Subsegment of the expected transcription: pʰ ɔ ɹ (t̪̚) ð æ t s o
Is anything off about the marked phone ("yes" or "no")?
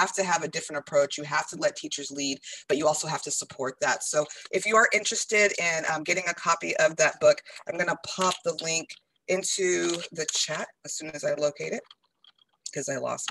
no